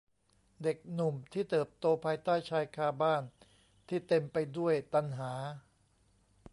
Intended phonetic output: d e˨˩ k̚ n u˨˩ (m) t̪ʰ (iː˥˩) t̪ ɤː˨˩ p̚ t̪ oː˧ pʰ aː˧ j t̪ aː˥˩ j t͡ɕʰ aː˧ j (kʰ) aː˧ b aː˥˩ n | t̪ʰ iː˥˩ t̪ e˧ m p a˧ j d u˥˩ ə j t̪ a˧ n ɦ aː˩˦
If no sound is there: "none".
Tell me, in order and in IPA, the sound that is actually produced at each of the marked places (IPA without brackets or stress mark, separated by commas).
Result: m, iː˥˩, kʰ